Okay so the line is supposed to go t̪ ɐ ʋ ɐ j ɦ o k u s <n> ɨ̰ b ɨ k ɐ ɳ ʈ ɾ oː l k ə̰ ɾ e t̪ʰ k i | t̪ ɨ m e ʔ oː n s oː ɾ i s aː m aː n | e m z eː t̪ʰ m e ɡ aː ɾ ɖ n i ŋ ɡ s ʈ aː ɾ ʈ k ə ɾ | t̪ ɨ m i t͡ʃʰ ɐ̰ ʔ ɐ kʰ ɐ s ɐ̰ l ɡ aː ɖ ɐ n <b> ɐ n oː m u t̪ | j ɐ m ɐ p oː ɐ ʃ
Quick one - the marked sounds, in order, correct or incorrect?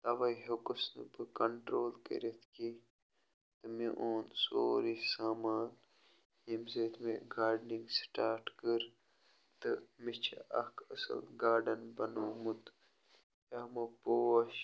correct, correct

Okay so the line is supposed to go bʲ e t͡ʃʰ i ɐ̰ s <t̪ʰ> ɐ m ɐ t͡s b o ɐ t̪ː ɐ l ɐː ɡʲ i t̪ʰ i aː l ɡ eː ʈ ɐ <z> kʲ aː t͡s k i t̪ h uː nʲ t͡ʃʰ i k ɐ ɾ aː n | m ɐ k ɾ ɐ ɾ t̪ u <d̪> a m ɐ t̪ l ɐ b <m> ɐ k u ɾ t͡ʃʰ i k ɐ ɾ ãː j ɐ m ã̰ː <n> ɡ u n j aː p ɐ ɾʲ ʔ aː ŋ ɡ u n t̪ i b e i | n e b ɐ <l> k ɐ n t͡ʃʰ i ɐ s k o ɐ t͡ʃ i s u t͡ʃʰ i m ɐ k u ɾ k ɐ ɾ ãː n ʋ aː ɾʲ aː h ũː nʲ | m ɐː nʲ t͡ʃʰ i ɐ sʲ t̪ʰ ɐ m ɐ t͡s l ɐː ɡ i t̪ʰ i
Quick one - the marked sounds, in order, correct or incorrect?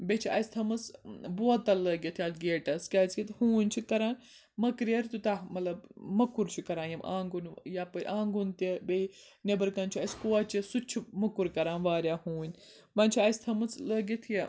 correct, incorrect, incorrect, correct, incorrect, incorrect

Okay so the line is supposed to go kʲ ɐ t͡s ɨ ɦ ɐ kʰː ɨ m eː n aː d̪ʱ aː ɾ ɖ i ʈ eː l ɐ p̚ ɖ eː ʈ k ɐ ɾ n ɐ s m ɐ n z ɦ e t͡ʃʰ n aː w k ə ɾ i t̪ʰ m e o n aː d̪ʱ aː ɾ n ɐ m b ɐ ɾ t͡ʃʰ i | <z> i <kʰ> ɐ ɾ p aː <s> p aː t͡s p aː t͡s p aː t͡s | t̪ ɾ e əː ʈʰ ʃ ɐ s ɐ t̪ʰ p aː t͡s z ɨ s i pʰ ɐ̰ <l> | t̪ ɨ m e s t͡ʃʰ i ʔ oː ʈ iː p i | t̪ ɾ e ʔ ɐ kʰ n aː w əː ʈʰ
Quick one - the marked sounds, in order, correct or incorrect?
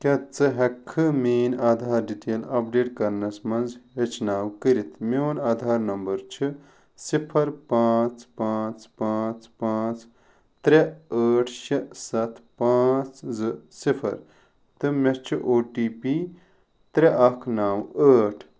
incorrect, incorrect, incorrect, incorrect

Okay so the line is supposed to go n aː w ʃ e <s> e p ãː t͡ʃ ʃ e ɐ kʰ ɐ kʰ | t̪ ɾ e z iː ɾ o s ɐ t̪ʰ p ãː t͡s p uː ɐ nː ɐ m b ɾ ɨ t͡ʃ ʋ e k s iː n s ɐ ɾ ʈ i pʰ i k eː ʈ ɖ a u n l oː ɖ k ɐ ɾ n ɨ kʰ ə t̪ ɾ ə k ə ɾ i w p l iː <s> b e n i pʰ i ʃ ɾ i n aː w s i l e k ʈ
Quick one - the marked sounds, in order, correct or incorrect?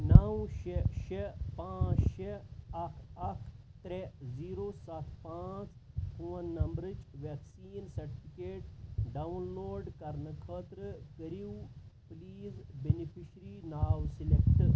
incorrect, incorrect

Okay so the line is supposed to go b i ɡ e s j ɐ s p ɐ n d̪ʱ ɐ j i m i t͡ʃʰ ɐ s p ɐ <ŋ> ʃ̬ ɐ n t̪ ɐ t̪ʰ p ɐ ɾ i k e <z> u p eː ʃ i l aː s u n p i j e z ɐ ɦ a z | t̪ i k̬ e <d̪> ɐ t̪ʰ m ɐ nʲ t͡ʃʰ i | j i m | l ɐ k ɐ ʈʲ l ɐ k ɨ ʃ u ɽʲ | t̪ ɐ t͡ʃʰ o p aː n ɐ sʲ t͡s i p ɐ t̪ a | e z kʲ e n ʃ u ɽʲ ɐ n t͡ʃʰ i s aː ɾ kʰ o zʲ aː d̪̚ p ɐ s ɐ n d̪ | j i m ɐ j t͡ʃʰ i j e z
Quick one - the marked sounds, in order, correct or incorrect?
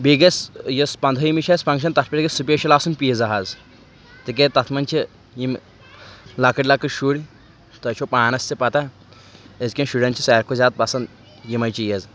correct, incorrect, incorrect

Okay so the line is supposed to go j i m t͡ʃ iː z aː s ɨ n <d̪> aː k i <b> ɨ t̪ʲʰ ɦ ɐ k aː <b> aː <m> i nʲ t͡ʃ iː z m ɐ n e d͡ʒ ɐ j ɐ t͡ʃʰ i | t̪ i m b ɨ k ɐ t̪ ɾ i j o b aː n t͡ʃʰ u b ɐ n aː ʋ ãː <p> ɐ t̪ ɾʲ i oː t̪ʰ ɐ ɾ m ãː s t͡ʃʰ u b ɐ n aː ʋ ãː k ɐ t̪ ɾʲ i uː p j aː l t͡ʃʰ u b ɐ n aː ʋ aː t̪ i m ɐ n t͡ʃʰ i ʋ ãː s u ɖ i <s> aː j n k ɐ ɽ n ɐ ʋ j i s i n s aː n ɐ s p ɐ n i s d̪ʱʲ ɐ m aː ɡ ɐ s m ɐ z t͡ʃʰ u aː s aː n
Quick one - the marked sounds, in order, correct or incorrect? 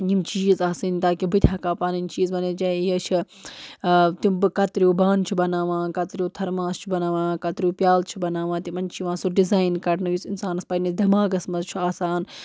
incorrect, correct, incorrect, incorrect, incorrect, incorrect

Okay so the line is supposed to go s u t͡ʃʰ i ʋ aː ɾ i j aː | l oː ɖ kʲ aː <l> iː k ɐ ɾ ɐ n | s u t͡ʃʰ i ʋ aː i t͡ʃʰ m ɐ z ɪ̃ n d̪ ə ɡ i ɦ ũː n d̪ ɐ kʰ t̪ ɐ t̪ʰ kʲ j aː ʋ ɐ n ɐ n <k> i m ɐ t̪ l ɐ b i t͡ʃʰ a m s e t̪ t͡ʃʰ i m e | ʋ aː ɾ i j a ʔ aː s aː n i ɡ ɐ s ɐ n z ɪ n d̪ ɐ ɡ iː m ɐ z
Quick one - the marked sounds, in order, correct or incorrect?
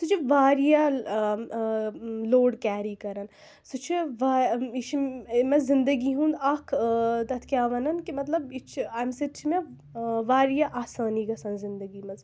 incorrect, correct

